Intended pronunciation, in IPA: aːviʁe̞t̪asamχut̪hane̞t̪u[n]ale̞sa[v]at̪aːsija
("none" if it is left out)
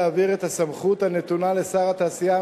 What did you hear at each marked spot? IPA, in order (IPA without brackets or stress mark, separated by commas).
n, ʁ